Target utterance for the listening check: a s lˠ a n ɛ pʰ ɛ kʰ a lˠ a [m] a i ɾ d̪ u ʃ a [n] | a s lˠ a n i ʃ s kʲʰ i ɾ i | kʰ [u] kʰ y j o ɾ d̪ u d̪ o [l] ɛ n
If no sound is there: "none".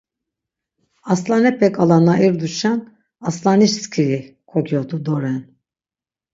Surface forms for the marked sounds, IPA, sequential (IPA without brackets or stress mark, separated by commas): n, n, o, ɾ